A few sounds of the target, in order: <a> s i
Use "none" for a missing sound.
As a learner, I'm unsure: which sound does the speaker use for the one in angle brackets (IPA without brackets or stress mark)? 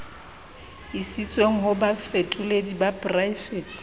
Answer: i